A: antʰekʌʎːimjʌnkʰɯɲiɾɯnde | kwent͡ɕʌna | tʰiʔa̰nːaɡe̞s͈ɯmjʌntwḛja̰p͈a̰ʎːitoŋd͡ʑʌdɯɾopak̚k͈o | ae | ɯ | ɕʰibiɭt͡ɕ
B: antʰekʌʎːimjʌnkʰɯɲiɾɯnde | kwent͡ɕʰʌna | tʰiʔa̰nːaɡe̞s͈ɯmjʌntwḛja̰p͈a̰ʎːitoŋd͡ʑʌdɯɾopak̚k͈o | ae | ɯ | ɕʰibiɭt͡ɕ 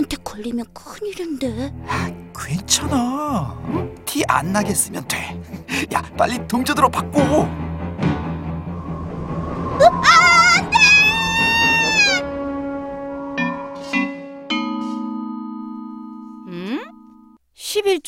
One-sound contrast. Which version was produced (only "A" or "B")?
B